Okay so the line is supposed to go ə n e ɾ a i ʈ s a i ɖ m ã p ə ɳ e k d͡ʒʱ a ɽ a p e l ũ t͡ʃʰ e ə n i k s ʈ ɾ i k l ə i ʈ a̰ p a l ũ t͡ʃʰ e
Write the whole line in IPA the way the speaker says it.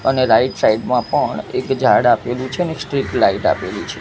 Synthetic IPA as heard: ə n e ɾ a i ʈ s a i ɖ m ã p ə ɳ e k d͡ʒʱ a ɽ a p e l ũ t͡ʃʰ e ə n e k s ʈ ɾ i k l a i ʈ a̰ p e l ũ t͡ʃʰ e